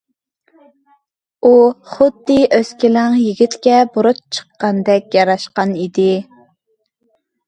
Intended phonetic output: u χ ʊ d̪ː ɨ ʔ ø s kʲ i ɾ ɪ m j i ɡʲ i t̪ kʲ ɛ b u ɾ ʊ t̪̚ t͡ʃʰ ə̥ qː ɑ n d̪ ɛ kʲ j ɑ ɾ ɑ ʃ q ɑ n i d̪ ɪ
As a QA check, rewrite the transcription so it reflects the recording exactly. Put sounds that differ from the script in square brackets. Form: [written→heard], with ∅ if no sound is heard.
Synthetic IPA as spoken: u χ ʊ d̪ː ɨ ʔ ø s kʲ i [ɾ→l] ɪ [m→ŋ] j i ɡʲ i t̪ kʲ ɛ b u ɾ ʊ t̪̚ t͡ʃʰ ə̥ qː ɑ n d̪ ɛ kʲ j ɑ ɾ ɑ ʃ q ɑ n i d̪ ɪ